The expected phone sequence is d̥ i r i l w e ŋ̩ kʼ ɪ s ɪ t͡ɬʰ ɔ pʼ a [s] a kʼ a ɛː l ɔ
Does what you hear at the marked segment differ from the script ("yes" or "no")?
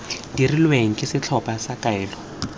no